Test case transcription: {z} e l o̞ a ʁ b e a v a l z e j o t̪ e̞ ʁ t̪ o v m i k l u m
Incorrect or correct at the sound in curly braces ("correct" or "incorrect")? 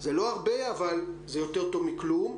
correct